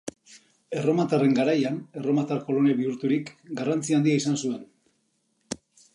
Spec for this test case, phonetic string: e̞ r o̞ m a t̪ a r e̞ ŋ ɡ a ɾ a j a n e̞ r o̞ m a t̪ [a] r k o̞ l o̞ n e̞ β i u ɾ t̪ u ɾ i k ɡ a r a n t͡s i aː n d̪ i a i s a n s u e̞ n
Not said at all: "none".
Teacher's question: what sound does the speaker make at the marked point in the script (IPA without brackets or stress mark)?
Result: a